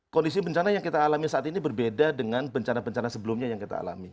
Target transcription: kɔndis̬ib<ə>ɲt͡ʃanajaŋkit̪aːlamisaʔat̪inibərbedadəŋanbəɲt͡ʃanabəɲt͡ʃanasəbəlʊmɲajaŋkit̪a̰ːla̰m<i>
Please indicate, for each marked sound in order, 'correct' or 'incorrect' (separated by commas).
correct, correct